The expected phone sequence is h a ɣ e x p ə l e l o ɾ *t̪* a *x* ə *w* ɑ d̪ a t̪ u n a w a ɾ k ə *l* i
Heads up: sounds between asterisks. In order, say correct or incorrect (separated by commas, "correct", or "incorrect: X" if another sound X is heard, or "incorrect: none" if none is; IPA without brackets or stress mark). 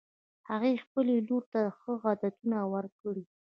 correct, correct, incorrect: ɣ, incorrect: ɽ